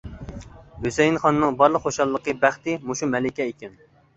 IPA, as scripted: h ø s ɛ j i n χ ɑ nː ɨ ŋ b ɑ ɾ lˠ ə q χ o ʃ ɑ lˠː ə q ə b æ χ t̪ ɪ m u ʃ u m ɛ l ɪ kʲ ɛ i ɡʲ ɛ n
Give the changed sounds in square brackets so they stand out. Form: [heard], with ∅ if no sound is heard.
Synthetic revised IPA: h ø s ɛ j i n χ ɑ nː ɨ ŋ b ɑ ɾ lˠ ə q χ o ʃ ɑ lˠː ə q ə b æ χ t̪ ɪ m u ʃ u m ɛ l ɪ kʲ ɛ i [kʲ] ɛ n